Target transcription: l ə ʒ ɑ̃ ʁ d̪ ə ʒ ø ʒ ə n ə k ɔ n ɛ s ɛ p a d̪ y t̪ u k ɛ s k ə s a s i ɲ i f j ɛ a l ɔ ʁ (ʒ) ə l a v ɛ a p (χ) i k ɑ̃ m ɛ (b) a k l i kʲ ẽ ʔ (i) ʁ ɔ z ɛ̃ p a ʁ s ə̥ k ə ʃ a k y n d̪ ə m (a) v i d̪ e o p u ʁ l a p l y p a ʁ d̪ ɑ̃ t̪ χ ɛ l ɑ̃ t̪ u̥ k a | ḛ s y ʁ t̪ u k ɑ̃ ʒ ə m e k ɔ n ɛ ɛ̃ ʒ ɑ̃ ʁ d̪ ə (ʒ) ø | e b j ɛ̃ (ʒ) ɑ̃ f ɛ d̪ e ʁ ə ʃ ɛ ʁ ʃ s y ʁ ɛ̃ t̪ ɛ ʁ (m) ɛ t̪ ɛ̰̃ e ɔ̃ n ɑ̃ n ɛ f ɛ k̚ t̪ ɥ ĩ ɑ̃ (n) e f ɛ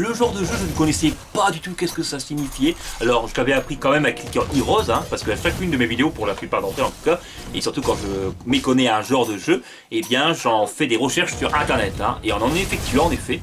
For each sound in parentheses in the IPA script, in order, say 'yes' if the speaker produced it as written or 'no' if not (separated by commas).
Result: yes, yes, no, yes, no, yes, yes, no, yes